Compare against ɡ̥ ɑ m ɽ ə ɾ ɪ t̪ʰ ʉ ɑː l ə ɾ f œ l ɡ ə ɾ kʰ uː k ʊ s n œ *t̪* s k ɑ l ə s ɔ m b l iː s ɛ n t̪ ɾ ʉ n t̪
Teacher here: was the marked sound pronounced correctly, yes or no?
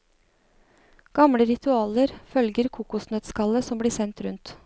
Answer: yes